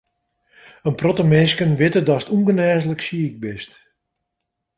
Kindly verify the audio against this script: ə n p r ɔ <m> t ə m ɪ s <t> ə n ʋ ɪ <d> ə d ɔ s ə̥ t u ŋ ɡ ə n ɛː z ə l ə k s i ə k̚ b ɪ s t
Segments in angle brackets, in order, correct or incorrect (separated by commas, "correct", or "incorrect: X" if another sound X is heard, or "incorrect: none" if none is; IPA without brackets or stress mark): incorrect: none, incorrect: k, incorrect: t